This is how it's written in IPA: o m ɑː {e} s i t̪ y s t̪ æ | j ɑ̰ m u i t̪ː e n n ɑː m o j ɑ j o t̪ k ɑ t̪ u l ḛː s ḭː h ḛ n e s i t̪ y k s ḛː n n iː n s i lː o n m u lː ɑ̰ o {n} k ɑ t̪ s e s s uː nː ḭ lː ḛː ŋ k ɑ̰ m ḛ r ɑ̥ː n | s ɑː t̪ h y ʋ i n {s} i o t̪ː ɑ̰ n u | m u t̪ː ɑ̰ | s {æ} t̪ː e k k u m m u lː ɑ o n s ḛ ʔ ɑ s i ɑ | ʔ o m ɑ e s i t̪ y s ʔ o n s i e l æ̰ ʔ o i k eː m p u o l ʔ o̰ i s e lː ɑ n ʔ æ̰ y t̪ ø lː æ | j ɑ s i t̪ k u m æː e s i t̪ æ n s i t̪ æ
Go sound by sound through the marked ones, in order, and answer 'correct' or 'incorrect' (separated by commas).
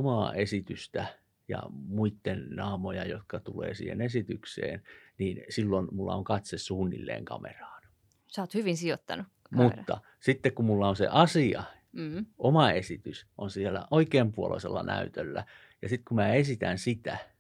correct, incorrect, correct, incorrect